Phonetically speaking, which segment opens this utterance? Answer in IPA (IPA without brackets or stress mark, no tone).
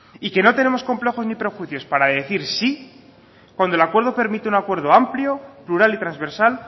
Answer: i